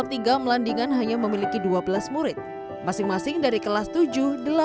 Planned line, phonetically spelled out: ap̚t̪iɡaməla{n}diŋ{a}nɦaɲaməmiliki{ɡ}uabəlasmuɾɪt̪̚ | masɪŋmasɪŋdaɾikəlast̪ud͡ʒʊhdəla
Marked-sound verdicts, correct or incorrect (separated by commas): correct, correct, incorrect